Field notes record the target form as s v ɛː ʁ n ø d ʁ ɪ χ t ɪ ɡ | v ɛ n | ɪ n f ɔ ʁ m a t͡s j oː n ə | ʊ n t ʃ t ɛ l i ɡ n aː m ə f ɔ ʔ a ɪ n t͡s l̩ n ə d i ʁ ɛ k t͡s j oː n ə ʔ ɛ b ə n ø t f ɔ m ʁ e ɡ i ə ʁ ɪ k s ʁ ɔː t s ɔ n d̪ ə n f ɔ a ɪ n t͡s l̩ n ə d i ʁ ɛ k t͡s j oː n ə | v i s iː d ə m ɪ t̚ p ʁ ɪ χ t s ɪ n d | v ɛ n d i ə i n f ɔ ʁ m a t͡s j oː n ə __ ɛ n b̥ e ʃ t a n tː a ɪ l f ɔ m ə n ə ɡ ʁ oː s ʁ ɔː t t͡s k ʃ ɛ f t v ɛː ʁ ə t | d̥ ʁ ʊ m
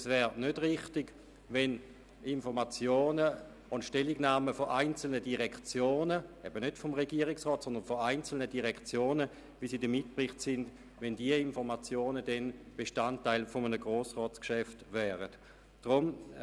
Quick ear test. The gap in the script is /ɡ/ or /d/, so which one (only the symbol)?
d